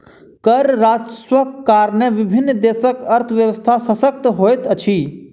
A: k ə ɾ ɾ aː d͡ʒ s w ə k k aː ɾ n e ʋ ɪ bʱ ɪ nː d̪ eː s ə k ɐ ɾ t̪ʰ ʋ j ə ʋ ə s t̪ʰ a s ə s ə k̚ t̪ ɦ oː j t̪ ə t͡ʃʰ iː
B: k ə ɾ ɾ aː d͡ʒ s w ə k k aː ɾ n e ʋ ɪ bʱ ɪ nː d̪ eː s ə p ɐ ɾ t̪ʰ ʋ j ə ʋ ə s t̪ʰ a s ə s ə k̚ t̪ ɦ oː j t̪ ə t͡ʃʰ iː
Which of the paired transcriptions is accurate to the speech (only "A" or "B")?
A